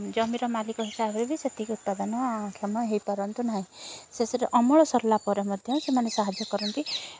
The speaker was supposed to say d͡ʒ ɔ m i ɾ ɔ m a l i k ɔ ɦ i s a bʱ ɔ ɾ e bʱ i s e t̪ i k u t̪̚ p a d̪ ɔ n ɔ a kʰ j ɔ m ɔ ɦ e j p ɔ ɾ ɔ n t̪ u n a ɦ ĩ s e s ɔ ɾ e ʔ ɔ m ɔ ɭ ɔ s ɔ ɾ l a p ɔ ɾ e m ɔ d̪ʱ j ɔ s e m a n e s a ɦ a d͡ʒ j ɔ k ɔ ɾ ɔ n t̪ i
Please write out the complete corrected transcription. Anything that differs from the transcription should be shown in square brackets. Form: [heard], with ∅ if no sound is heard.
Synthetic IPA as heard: d͡ʒ ɔ m i ɾ ɔ m a l i k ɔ ɦ i s a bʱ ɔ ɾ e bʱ i s e t̪ i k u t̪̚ p a d̪ ɔ n ɔ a kʰ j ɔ m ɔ ɦ e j p ɔ ɾ ɔ n t̪ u n a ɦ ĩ s e s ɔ ɾ e ʔ ɔ m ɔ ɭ ɔ s ɔ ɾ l a p ɔ ɾ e m ɔ d̪ʱ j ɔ s e m a n e s a ɦ a d͡ʒ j ɔ k ɔ ɾ ɔ n t̪ i

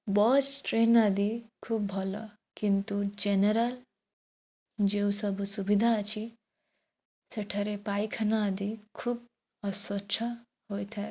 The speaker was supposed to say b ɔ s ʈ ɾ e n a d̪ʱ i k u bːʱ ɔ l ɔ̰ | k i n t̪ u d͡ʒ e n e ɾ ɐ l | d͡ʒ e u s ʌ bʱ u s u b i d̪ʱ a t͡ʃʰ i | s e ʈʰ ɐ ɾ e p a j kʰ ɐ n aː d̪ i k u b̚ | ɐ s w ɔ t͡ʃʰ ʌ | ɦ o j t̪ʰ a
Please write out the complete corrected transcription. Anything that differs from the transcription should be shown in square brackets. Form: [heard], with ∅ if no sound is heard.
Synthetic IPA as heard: b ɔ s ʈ ɾ e n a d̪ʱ i [kʰ] u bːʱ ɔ l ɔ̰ | k i n t̪ u d͡ʒ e n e ɾ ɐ l | d͡ʒ e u s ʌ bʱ u s u b i d̪ʱ a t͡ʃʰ i | s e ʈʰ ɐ ɾ e p a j kʰ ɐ n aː d̪ i [kʰ] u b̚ | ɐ s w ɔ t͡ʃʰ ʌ | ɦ o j t̪ʰ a

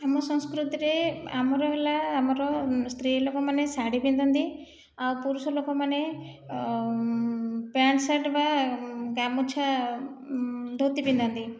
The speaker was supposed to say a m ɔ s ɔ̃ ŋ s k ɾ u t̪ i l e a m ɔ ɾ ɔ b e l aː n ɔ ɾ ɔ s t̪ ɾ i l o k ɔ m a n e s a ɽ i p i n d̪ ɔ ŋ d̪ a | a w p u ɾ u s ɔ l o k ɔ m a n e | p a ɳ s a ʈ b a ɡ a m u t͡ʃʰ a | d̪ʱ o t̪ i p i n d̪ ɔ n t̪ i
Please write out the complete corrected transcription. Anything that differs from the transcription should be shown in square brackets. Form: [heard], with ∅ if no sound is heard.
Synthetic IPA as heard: a m ɔ s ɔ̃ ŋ s k ɾ u t̪ i [ɾ] e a m ɔ ɾ ɔ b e l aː [m] ɔ ɾ ɔ s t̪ ɾ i l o k ɔ m a n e s a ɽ i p i n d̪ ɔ [n] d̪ [i] | a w p u ɾ u s ɔ l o k ɔ m a n e | p a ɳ s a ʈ b a ɡ a m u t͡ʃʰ a | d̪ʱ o t̪ i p i n d̪ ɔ n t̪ i

